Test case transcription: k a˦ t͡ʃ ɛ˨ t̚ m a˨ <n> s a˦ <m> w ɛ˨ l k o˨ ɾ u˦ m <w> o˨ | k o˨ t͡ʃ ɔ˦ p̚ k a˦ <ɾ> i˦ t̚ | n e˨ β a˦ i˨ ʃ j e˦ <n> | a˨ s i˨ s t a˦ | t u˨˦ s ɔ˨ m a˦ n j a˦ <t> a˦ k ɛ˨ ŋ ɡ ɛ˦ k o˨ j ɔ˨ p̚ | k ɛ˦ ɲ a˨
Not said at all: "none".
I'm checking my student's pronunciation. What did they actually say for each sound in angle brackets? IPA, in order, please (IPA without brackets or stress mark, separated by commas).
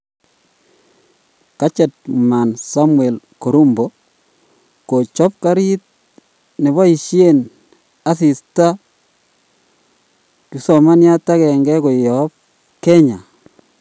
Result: n, m, b, ɾ, n, t